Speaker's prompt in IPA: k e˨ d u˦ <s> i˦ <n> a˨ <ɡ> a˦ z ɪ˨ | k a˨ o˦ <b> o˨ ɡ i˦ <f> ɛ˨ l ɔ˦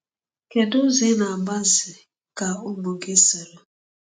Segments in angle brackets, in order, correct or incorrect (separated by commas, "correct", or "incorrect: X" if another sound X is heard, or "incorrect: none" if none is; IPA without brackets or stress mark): incorrect: z, correct, incorrect: b, incorrect: m, incorrect: s